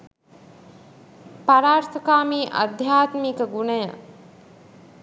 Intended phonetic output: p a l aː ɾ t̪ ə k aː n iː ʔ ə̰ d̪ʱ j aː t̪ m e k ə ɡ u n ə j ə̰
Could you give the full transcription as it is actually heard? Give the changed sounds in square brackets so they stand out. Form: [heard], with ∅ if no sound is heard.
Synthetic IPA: p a [ɾ] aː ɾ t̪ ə k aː [m] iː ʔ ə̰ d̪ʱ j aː t̪ m [i] k ə ɡ u n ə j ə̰